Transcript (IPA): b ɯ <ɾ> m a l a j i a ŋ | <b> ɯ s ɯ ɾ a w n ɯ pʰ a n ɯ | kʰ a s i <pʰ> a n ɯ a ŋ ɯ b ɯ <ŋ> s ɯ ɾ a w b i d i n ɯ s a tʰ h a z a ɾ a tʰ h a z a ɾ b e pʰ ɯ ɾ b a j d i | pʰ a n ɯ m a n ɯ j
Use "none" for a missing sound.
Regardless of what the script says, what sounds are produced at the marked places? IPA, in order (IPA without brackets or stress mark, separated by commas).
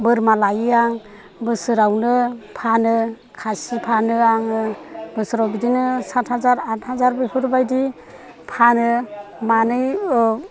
ɾ, b, pʰ, none